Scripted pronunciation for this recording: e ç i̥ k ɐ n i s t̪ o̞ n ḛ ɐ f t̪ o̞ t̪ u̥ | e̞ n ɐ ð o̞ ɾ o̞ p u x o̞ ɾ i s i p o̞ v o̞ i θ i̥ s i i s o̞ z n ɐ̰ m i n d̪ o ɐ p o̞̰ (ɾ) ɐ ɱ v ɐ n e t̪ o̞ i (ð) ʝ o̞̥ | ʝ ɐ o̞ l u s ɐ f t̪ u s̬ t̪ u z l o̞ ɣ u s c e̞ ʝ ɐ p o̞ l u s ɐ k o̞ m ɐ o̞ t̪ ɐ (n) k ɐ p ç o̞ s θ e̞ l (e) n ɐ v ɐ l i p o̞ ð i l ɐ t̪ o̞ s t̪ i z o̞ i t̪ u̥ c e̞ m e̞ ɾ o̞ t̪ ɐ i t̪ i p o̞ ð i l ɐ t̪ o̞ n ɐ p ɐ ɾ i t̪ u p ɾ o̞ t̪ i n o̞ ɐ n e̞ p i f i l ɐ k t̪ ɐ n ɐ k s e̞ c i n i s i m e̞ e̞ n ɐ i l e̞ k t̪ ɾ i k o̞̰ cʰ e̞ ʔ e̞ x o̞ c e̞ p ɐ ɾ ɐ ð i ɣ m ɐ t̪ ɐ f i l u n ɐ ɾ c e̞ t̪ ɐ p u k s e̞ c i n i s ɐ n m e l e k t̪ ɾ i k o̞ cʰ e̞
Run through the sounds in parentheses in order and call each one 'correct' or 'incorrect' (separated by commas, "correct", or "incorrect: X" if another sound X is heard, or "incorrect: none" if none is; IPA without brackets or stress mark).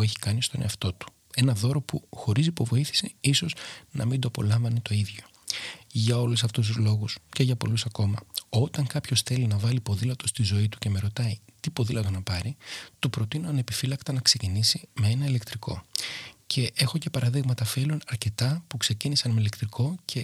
incorrect: l, correct, incorrect: ŋ, incorrect: i